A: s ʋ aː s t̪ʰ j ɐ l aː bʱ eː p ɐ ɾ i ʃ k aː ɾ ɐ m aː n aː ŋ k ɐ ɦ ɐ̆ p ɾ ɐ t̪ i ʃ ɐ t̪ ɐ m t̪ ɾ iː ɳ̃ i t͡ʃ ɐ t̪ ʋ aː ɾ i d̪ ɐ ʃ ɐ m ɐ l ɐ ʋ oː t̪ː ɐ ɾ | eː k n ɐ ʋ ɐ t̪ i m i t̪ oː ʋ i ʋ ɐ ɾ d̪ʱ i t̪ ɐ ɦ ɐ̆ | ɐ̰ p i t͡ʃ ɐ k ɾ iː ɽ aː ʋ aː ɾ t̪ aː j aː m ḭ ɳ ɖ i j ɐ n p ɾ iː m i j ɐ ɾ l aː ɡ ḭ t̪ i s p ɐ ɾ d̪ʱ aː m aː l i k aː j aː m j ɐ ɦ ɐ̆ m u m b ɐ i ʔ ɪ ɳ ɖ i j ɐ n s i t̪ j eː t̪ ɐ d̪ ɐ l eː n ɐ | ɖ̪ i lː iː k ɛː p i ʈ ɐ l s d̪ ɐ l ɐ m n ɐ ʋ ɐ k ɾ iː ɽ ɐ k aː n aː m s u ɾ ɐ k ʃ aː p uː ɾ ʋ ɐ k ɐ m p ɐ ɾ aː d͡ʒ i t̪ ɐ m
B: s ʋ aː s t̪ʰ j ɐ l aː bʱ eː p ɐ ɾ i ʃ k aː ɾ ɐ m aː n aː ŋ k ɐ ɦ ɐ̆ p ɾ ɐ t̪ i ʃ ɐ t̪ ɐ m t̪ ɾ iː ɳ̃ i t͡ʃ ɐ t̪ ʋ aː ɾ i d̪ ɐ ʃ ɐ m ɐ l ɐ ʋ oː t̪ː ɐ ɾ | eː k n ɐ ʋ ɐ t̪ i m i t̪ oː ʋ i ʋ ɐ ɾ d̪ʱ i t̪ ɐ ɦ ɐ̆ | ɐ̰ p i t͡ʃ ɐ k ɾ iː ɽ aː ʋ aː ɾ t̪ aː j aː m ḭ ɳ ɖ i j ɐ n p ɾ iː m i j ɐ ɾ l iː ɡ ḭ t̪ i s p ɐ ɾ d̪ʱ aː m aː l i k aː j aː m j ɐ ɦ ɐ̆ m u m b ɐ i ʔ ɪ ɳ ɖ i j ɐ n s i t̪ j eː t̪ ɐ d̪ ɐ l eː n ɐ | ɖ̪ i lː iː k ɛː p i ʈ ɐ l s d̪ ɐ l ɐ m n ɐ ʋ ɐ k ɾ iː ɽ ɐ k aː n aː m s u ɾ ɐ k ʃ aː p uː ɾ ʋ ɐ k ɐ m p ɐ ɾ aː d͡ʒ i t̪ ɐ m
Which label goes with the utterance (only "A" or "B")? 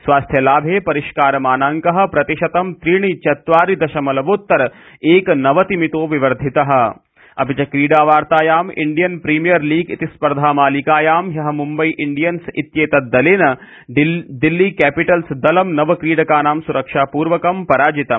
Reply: B